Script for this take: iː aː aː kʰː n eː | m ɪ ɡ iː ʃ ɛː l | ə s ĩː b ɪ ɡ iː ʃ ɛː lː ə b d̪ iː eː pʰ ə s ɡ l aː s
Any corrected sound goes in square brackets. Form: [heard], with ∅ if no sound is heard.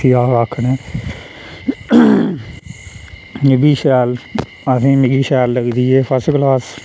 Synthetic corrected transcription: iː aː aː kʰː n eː | m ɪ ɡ iː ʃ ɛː l | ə s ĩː [m] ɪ ɡ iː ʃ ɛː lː ə [ɡ] d̪ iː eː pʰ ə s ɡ l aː s

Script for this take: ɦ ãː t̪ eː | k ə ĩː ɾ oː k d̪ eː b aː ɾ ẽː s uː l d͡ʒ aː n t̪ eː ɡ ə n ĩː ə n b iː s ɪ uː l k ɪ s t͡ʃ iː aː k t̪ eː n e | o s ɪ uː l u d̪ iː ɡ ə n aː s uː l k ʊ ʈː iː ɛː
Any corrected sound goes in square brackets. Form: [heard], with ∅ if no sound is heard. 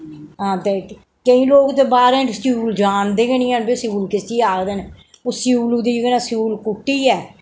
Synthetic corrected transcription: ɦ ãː t̪ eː | k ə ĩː [l] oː k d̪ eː b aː ɾ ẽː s uː l d͡ʒ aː n [d̪] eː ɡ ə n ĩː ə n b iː s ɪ uː l k ɪ s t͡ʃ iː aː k [d̪] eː n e | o s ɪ uː l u d̪ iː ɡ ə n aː s uː l k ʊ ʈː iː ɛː

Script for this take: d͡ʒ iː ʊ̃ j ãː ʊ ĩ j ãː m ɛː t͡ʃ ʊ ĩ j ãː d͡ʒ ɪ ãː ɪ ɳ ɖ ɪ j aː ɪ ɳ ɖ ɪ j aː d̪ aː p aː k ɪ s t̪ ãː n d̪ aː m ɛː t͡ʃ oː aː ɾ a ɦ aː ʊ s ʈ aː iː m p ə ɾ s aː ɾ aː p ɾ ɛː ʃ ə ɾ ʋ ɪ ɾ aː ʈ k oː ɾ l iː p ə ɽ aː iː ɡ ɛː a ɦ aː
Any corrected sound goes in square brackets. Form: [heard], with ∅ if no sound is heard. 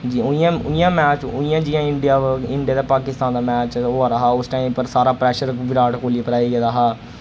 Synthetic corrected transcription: d͡ʒ iː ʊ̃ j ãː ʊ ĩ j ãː m ɛː t͡ʃ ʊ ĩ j ãː d͡ʒ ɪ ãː ɪ ɳ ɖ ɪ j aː ɪ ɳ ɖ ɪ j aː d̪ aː p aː k ɪ s t̪ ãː n d̪ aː m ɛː t͡ʃ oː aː ɾ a ɦ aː ʊ s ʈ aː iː m p ə ɾ s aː ɾ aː p ɾ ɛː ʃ ə ɾ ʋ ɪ ɾ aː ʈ k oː [∅] l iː p ə [ɾ] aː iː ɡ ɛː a ɦ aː

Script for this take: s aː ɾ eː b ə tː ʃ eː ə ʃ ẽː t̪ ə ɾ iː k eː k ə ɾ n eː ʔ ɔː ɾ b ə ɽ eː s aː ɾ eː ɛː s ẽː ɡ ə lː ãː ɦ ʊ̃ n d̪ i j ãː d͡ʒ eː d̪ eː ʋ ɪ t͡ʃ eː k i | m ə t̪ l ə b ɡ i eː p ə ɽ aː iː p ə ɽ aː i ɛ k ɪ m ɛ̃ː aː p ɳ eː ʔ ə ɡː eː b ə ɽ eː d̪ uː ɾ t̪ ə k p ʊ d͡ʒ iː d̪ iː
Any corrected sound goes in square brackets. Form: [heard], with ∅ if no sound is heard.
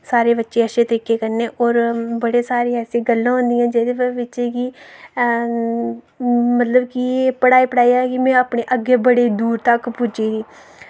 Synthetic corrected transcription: s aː ɾ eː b ə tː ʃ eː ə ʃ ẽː t̪ ə ɾ iː k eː k ə ɾ n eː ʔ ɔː ɾ b ə ɽ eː s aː ɾ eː ɛː s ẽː ɡ ə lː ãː ɦ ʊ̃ n d̪ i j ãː d͡ʒ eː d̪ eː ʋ ɪ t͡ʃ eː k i | m ə t̪ l ə b [k] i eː p ə ɽ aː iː p ə ɽ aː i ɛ k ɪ m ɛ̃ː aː p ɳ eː ʔ ə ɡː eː b ə ɽ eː d̪ uː ɾ t̪ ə k p ʊ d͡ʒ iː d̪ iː

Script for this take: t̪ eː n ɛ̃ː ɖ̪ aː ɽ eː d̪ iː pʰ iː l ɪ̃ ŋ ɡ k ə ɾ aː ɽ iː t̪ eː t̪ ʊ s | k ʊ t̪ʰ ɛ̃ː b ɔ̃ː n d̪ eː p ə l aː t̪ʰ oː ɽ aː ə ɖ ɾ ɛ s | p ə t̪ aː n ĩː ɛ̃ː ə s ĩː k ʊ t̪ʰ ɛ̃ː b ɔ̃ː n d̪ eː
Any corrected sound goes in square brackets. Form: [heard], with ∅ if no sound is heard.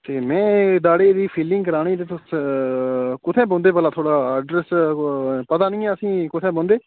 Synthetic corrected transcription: t̪ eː [m] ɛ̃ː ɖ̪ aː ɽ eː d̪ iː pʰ iː l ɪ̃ ŋ ɡ k ə ɾ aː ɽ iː t̪ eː t̪ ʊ s | k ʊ t̪ʰ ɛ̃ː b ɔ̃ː n d̪ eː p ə l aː t̪ʰ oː ɽ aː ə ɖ ɾ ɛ s | p ə t̪ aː n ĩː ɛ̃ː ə s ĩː k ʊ t̪ʰ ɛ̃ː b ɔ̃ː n d̪ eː

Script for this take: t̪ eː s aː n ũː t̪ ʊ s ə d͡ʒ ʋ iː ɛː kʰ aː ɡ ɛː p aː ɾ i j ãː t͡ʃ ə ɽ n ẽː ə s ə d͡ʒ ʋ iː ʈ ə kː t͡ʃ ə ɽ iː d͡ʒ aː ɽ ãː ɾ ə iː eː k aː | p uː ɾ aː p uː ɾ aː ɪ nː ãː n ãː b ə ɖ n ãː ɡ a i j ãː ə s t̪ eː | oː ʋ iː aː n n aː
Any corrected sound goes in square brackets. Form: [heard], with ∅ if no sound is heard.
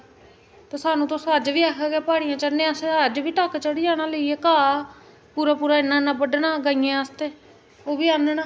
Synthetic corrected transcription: t̪ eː s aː n ũː t̪ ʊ s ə d͡ʒ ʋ iː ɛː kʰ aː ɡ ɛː p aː [ɽ] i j ãː t͡ʃ ə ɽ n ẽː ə s ə d͡ʒ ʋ iː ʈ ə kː t͡ʃ ə ɽ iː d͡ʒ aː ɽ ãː [l] ə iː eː k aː | p uː ɾ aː p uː ɾ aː ɪ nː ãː n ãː b ə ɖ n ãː ɡ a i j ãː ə s t̪ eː | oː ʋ iː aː n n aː

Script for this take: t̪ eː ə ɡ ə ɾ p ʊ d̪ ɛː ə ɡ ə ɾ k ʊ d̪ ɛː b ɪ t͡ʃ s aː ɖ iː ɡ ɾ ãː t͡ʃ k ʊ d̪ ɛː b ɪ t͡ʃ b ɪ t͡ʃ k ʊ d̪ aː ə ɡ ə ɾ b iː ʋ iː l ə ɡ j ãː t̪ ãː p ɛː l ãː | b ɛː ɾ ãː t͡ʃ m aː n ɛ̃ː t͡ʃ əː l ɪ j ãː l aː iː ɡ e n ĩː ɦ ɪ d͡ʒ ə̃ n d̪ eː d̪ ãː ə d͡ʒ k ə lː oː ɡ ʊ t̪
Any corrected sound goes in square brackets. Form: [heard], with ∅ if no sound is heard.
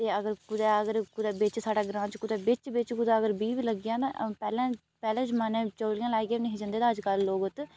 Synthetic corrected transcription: t̪ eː ə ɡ ə ɾ [k] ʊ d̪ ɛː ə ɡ ə ɾ k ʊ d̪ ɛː b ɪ t͡ʃ s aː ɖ [aː] ɡ ɾ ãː t͡ʃ k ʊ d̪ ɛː b ɪ t͡ʃ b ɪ t͡ʃ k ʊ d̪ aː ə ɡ ə ɾ b iː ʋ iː l ə ɡ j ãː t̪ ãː p ɛː l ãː | [p] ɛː [l] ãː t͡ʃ m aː n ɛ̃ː t͡ʃ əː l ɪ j ãː l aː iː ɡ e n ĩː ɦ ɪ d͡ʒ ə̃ n d̪ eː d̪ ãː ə d͡ʒ k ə lː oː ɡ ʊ t̪

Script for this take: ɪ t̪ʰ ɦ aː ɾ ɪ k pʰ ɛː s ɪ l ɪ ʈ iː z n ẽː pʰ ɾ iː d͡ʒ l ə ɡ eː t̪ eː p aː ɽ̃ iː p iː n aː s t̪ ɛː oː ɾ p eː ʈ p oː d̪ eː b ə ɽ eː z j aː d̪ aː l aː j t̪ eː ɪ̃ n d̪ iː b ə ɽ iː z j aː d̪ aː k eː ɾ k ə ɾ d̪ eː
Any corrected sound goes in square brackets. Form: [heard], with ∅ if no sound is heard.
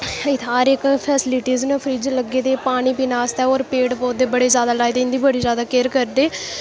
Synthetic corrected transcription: ɪ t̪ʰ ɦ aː ɾ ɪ k pʰ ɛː s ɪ l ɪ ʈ iː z n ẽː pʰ ɾ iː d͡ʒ l ə ɡ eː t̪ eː p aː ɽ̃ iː p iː n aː s t̪ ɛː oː ɾ p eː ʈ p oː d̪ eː b ə ɽ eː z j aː d̪ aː l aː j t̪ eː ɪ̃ n d̪ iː b ə ɽ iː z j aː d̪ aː k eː ɾ k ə ɾ d̪ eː

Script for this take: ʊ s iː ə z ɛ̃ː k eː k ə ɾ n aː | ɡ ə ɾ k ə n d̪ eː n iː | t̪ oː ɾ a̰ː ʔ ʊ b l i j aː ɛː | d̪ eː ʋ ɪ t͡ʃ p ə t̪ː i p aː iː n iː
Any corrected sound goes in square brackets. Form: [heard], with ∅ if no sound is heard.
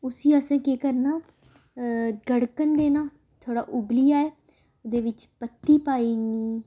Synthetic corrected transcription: ʊ s iː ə [s] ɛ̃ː k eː k ə ɾ n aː | ɡ ə [ɽ] k ə n d̪ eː n [aː] | [t̪ʰ] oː [ɽ] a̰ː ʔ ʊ b l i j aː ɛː | d̪ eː ʋ ɪ t͡ʃ p ə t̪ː [iː] p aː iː n iː

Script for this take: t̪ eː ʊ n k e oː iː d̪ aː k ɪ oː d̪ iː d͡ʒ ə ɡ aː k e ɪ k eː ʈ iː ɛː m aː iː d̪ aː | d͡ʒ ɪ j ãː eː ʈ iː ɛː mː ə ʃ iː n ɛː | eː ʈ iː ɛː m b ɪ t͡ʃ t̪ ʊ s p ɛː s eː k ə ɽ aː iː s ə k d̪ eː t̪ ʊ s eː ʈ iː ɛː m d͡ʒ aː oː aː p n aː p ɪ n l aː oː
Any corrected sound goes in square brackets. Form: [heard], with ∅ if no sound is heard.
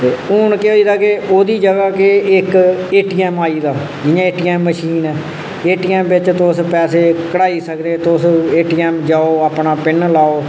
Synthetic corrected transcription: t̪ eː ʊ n k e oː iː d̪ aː k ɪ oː d̪ iː d͡ʒ ə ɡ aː k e ɪ k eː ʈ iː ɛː m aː iː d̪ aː | d͡ʒ ɪ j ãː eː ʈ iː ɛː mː ə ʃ iː n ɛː | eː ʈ iː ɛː m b ɪ t͡ʃ t̪ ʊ s p ɛː s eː k ə ɽ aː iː s ə k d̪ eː t̪ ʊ s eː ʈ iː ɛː m d͡ʒ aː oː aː p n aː p ɪ n l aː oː

